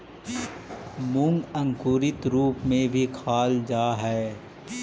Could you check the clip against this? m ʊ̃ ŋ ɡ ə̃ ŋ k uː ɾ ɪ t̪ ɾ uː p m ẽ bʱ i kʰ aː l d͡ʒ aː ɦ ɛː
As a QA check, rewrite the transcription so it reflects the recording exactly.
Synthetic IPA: m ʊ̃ ŋ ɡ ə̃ ŋ k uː ɾ ɪ t̪ ɾ uː p m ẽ bʱ i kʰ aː l d͡ʒ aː ɦ ɛː